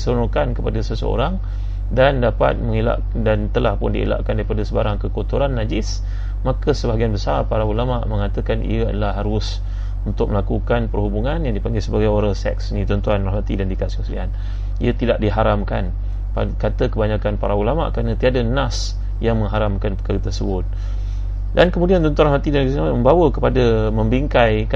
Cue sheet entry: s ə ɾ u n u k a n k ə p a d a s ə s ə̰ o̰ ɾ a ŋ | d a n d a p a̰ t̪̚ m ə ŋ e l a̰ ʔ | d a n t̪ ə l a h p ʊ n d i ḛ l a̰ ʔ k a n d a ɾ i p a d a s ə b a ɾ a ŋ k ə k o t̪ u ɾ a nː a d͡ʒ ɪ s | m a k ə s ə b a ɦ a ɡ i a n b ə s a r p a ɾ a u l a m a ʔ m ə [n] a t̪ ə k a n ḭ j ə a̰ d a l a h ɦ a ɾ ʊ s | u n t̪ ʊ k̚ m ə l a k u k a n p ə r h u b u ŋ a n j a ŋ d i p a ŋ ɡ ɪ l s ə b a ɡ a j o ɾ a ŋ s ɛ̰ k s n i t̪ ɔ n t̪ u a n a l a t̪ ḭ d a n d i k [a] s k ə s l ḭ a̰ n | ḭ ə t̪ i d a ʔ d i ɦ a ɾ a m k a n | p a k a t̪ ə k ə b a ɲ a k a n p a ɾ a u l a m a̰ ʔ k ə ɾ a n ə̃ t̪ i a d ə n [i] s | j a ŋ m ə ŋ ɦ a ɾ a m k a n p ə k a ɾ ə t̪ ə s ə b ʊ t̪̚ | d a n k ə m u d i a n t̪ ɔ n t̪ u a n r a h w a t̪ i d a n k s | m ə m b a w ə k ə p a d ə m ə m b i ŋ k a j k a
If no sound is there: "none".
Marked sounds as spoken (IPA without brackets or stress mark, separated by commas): ŋ, a, a